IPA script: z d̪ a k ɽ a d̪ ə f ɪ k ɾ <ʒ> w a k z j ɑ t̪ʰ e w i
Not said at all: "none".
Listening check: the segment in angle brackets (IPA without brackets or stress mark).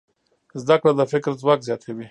z